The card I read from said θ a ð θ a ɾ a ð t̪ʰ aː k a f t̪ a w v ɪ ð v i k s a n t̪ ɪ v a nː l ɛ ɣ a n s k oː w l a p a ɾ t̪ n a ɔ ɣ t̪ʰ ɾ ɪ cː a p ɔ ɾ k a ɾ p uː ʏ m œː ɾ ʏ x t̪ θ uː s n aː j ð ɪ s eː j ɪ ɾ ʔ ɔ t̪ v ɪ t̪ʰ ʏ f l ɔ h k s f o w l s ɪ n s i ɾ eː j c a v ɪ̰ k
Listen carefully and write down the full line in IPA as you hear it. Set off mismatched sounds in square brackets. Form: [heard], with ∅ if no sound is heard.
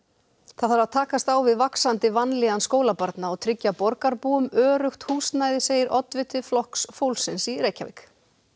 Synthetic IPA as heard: θ a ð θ a ɾ a ð t̪ʰ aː k a [s] t̪ a w v ɪ ð v [a] k s a n t̪ ɪ v a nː l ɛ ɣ a n s k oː w l a p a ɾ t̪ n a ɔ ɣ t̪ʰ ɾ ɪ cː a p ɔ ɾ k a ɾ p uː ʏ m œː ɾ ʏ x t̪ [h] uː s n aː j ð ɪ s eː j ɪ ɾ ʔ ɔ t̪ v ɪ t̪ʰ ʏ f l ɔ h k s f o w l s ɪ n s i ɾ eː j c a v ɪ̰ k